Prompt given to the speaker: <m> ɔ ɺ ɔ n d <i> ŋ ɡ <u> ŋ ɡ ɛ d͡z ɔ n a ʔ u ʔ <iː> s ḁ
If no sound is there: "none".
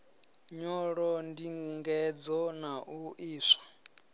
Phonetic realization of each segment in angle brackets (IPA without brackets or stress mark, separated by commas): ɲ, i, u, iː